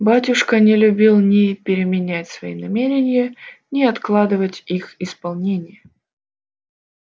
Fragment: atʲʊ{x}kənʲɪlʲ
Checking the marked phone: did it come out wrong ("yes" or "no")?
yes